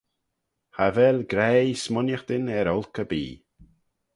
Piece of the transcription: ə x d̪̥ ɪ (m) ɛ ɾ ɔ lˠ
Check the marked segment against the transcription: incorrect: n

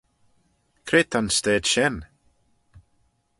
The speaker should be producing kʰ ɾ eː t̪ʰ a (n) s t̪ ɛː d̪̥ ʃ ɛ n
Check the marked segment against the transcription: correct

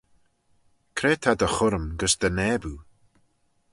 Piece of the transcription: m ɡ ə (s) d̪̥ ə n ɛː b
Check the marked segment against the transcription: correct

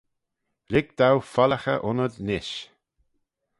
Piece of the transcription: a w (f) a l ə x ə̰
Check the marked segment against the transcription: correct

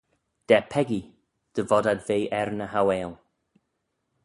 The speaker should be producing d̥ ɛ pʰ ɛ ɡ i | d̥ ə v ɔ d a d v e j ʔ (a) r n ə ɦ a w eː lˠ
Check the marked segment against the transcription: incorrect: ɛ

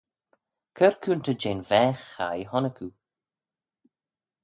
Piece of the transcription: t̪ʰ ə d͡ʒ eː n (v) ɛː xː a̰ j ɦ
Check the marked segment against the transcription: correct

